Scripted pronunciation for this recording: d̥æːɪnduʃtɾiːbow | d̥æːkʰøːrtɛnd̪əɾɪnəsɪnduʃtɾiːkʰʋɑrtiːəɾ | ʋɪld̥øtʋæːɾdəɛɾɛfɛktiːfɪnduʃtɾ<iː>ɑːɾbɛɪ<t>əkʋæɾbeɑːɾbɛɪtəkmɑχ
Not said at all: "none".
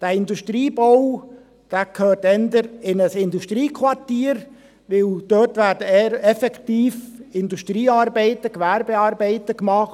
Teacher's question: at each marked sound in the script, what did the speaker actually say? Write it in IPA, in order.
iː, t

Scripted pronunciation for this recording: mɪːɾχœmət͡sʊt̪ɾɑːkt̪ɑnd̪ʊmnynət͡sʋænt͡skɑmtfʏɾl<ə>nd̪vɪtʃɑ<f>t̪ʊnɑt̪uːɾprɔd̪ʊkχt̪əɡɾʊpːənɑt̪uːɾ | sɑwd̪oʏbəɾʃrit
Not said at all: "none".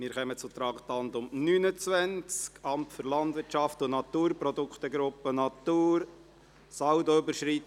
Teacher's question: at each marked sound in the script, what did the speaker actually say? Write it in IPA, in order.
ɑ, f

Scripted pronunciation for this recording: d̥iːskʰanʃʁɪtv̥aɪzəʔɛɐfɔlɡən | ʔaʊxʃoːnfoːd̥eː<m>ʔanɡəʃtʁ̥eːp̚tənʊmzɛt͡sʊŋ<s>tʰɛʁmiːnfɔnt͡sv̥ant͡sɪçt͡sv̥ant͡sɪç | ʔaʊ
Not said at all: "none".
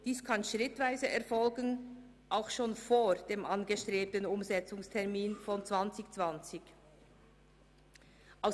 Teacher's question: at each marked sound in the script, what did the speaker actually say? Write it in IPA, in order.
m, s

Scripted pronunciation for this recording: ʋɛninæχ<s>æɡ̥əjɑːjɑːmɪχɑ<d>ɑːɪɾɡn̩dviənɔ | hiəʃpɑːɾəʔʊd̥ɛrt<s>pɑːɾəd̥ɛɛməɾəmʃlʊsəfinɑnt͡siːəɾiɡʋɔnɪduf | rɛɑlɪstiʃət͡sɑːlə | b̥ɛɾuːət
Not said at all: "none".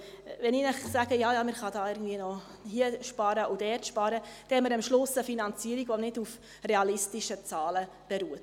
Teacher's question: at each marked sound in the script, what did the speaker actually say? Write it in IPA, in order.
s, d, ʃ

